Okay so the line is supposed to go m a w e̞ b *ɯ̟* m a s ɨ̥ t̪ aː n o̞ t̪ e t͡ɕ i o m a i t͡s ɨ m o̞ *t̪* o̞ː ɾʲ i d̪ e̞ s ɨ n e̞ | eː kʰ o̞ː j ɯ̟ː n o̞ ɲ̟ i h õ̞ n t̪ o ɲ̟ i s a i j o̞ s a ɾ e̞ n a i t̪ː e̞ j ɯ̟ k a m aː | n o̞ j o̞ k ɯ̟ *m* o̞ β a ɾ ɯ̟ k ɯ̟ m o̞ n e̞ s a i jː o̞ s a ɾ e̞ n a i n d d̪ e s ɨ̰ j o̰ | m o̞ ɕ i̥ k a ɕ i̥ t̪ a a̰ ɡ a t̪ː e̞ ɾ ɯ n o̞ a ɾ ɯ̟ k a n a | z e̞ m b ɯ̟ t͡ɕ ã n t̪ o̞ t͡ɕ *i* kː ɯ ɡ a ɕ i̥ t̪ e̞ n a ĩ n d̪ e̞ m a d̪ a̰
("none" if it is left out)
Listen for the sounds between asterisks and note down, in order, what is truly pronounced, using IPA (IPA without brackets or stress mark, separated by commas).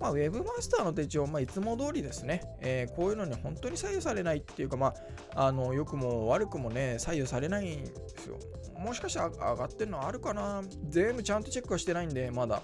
ɯ̟, d̪, m, e